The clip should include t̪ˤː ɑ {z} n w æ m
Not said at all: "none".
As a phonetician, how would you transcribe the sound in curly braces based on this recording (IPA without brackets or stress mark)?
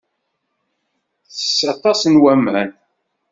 s